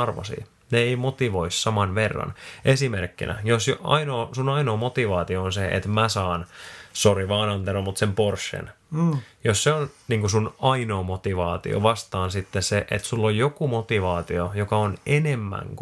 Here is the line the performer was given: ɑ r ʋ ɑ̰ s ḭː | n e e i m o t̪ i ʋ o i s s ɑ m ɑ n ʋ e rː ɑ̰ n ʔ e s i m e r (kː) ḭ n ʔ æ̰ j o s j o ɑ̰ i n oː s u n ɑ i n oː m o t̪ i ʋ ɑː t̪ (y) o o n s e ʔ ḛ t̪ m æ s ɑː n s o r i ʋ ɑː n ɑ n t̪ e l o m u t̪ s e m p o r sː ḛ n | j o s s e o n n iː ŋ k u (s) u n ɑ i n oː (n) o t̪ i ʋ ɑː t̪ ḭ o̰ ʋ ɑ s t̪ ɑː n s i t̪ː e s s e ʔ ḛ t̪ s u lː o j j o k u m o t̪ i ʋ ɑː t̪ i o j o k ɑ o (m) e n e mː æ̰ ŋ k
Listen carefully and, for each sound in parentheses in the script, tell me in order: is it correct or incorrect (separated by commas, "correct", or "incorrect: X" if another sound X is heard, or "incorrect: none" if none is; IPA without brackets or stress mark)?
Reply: correct, incorrect: i, correct, incorrect: m, incorrect: n